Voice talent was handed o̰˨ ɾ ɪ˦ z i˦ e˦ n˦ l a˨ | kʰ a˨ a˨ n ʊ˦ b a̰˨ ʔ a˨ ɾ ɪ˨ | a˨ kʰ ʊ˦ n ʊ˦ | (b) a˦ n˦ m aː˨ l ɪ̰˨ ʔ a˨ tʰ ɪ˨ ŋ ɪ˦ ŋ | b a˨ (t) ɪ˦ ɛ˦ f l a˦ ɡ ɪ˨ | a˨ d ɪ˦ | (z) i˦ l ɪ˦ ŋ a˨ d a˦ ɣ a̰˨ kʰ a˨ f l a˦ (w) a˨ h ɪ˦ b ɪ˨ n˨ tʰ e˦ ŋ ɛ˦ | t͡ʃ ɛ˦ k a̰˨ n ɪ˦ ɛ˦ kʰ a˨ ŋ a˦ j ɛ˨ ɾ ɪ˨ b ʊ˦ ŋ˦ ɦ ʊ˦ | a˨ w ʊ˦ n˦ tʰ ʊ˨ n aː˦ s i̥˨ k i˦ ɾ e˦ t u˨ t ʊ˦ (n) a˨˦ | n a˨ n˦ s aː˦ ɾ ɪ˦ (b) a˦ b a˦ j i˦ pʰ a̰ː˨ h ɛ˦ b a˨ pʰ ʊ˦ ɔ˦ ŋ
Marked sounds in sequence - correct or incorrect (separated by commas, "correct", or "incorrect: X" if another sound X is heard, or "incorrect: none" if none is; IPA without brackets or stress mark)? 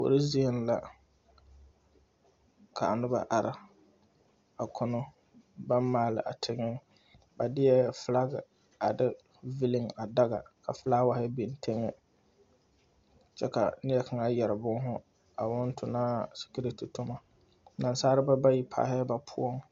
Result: correct, incorrect: d, incorrect: v, correct, incorrect: m, correct